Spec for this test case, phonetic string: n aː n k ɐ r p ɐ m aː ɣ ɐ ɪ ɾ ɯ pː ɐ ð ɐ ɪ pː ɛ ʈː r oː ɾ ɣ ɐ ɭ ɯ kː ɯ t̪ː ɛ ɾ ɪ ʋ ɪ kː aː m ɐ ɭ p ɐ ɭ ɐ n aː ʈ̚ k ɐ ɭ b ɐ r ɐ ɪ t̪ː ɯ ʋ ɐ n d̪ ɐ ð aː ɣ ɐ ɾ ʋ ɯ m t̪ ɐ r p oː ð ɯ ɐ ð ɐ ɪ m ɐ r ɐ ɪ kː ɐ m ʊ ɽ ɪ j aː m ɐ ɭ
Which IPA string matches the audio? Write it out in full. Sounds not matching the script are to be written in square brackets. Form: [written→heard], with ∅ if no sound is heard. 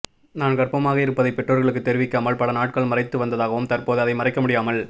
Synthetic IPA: n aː n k ɐ r p ɐ m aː ɣ ɐ ɪ ɾ ɯ pː ɐ ð ɐ ɪ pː ɛ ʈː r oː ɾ ɣ ɐ ɭ ɯ kː ɯ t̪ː ɛ ɾ ɪ ʋ ɪ kː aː m ɐ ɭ p ɐ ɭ ɐ n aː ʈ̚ k ɐ ɭ [b→m] ɐ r ɐ ɪ t̪ː ɯ ʋ ɐ n d̪ ɐ ð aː ɣ ɐ [ɾ→∅] ʋ ɯ m t̪ ɐ r p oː ð ɯ ɐ ð ɐ ɪ m ɐ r ɐ ɪ kː ɐ m ʊ ɽ ɪ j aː m ɐ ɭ